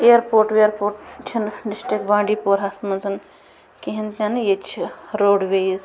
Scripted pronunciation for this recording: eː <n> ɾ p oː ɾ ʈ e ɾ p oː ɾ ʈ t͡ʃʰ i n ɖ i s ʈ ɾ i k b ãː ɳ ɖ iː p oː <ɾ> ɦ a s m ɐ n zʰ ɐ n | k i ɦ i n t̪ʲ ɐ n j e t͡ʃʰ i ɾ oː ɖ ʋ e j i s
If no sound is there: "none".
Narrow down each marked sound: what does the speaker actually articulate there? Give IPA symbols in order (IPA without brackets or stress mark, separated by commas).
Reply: none, ɾ